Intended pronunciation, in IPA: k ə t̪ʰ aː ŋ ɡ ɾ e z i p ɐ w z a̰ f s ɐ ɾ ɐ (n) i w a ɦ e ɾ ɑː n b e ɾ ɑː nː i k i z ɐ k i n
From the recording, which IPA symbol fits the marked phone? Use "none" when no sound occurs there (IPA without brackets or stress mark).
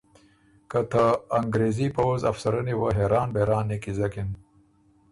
n